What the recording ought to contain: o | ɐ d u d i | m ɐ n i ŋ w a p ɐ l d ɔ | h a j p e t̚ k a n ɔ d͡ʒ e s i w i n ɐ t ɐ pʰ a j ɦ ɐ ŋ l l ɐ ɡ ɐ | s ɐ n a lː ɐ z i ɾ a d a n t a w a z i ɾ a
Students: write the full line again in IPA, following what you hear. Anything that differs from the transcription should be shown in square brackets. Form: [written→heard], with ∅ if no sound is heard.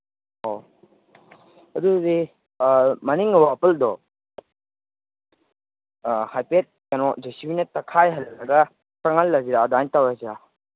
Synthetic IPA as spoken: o | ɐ d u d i | m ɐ n i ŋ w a p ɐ l d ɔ | h a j p e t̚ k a n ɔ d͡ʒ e s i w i n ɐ t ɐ [pʰ→kʰ] a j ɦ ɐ [ŋ→∅] l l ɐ ɡ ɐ | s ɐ [n→ŋ] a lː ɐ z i ɾ a d a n t a w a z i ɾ a